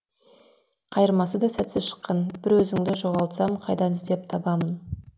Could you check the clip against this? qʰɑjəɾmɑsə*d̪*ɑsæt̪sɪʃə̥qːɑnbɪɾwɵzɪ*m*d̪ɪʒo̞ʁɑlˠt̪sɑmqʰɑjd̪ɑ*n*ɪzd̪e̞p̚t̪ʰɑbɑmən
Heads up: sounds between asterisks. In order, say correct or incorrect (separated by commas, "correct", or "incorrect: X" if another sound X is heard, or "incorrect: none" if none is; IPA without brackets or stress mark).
correct, incorrect: ŋ, correct